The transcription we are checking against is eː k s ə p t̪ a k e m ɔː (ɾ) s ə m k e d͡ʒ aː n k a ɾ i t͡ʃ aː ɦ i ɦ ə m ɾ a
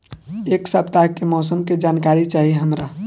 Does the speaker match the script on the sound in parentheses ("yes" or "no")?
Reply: no